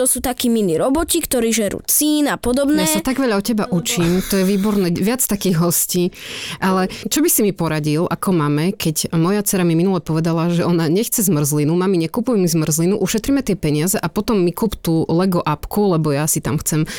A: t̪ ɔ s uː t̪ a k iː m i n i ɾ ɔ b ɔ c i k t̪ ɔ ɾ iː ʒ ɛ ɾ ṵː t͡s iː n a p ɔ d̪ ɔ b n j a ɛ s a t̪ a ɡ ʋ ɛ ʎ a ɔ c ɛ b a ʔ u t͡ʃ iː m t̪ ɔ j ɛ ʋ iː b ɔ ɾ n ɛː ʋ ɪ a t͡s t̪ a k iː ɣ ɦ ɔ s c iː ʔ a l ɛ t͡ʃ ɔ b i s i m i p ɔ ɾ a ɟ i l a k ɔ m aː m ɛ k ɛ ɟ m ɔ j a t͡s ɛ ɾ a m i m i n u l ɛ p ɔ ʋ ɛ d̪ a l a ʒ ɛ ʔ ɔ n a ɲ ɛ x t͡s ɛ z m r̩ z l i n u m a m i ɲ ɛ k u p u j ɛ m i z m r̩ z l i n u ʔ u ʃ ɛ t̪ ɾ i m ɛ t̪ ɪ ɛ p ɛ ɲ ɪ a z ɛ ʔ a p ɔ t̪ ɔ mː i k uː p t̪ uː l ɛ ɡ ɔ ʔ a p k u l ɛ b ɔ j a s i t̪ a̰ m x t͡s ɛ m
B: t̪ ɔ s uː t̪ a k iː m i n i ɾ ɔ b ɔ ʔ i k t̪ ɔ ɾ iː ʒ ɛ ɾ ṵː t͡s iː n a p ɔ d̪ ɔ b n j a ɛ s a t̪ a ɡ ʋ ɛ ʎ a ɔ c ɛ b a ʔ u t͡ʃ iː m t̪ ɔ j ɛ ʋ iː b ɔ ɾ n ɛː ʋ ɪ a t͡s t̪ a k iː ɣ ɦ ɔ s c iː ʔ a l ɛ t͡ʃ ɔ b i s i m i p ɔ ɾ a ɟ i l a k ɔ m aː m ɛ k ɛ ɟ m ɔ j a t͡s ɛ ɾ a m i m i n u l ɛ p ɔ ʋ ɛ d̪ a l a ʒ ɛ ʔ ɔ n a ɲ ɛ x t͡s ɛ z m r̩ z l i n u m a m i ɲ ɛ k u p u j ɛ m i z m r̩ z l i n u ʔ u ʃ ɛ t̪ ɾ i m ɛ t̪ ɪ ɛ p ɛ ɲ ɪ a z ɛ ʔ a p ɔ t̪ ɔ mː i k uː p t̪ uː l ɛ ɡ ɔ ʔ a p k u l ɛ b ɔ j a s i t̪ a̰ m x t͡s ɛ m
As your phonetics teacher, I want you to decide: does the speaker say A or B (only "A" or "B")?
A